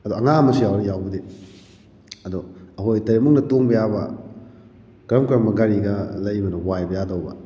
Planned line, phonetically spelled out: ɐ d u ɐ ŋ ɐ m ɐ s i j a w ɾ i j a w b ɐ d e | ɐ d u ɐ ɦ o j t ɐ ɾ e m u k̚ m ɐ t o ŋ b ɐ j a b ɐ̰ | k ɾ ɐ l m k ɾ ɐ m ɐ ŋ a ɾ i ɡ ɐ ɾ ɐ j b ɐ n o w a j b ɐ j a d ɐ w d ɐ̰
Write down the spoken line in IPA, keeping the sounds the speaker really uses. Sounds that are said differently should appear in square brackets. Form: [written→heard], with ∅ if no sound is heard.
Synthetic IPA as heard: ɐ d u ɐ ŋ [ɐ→a] m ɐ s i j a w ɾ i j a w b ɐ d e | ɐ d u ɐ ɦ o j t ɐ ɾ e m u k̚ [m→n] ɐ t o ŋ b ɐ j a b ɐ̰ | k ɾ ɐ [l→∅] m k ɾ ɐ m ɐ [ŋ→ɡ] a ɾ i ɡ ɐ [ɾ→l] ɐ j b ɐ n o w a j b ɐ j a d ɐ w [d→b] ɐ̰